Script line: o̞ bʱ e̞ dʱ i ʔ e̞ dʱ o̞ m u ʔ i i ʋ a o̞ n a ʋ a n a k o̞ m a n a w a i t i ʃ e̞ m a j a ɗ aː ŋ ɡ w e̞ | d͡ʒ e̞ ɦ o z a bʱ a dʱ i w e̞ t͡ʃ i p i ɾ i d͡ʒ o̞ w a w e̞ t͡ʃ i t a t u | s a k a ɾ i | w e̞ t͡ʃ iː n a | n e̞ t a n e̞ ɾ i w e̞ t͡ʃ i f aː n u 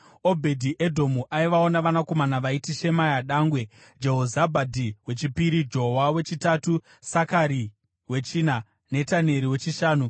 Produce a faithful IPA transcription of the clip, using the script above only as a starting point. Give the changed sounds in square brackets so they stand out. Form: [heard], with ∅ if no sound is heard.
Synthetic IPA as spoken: o̞ bʱ e̞ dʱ i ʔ e̞ dʱ o̞ m u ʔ [a] i ʋ a o̞ n a ʋ a n a k o̞ m a n a [ʋ] a i t i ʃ e̞ m a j a ɗ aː ŋ ɡ w e̞ | d͡ʒ e̞ ɦ o z a bʱ a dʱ i w e̞ t͡ʃ i p i ɾ i d͡ʒ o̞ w a w e̞ t͡ʃ i t a t u | s a k a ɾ i | w e̞ t͡ʃ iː n a | n e̞ t a n e̞ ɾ i w e̞ t͡ʃ i [ʃ] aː n u